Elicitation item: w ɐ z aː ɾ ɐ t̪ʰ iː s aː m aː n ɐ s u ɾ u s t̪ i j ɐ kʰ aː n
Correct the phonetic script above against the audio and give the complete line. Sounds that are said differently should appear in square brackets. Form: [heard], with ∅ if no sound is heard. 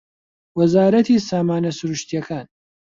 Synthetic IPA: w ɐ z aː ɾ ɐ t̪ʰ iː s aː m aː n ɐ s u ɾ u [ʃ] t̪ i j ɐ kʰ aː n